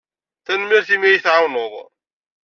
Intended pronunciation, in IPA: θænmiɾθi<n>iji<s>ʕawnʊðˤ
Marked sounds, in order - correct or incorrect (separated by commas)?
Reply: incorrect, incorrect